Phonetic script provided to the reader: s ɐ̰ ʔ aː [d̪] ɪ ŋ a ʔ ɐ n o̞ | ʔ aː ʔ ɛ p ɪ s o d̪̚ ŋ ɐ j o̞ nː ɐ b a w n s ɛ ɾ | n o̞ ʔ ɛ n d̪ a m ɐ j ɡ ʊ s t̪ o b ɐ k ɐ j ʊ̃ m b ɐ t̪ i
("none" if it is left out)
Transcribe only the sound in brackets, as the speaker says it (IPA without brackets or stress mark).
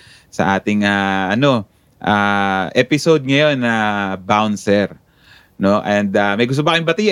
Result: t̪